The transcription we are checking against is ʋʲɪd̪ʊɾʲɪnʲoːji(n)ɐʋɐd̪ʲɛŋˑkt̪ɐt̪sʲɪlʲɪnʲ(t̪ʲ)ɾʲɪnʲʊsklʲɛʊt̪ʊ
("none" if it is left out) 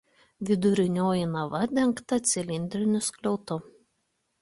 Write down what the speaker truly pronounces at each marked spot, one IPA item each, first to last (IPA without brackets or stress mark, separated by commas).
n, d̪ʲ